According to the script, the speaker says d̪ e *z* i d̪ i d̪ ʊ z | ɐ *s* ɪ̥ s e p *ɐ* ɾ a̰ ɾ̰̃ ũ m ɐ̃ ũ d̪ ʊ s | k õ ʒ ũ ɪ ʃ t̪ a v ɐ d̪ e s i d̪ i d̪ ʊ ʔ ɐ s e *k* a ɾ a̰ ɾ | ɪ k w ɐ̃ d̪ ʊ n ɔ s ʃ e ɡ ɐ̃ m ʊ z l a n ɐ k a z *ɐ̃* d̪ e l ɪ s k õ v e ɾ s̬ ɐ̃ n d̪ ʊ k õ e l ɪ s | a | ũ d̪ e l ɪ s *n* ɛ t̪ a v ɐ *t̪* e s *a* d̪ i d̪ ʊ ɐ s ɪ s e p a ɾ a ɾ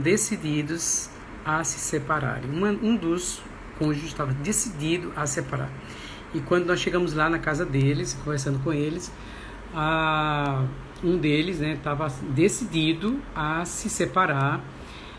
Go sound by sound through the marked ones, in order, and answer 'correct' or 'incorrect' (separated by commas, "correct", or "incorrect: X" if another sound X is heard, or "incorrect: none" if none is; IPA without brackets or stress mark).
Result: incorrect: s, correct, incorrect: a, incorrect: p, incorrect: ɐ, correct, incorrect: d̪, incorrect: i